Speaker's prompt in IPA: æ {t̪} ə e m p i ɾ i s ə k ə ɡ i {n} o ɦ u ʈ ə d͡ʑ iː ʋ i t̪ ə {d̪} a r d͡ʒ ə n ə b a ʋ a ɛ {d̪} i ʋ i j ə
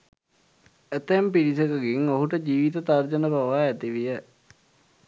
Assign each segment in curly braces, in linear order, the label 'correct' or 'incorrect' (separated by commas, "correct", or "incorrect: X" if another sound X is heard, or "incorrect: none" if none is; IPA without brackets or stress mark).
correct, incorrect: ŋ, incorrect: t̪, incorrect: t̪